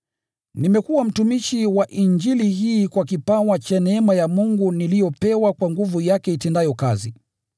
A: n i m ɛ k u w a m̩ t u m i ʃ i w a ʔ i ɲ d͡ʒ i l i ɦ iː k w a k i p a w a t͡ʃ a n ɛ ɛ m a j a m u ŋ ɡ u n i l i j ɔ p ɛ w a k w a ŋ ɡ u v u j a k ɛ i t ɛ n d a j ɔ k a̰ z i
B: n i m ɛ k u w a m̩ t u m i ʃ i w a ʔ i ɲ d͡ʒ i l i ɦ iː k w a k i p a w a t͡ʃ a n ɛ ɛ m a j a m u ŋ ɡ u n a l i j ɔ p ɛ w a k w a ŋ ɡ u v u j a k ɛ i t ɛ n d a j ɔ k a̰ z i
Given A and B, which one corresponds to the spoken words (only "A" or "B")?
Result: A